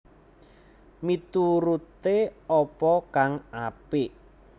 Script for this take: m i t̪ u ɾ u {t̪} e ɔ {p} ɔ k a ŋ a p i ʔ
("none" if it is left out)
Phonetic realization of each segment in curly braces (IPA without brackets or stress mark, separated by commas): t̪, p